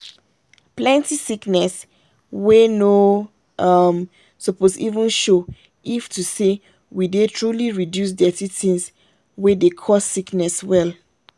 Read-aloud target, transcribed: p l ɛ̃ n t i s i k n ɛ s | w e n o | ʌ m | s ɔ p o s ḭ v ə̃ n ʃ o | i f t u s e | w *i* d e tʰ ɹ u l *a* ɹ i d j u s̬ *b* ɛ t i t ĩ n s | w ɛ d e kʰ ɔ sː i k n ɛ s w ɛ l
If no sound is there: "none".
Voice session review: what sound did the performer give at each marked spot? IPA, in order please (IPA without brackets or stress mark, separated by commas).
i, i, d